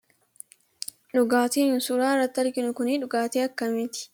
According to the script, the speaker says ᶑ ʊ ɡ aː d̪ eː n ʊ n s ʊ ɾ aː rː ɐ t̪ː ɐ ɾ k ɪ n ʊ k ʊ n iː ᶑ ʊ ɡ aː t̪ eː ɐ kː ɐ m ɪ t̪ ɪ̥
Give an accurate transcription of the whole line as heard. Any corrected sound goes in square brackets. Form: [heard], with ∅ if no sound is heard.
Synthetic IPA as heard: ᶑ ʊ ɡ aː [t̪] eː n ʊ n s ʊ ɾ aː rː ɐ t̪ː ɐ ɾ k ɪ n ʊ k ʊ n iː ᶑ ʊ ɡ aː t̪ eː ɐ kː ɐ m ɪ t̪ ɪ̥